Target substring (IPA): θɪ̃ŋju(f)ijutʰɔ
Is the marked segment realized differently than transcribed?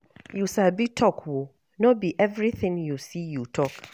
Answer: yes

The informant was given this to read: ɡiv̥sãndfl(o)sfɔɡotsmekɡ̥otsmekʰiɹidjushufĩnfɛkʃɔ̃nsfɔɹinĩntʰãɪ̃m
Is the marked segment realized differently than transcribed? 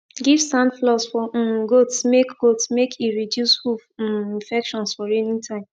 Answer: yes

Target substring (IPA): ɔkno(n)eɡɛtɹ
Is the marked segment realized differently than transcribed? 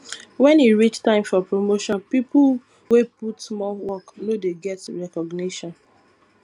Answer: yes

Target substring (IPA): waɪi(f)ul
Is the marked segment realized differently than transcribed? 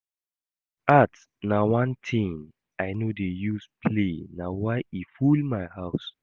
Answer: no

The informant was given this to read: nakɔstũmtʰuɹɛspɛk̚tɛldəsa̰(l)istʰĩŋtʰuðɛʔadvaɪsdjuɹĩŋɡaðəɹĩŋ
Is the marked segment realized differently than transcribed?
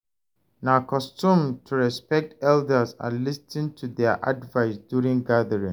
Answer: no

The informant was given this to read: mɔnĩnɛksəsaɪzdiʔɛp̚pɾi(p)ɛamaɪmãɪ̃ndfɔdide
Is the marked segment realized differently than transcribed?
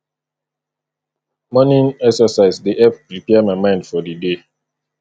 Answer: no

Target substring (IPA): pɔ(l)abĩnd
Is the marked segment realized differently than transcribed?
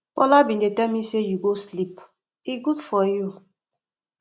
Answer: no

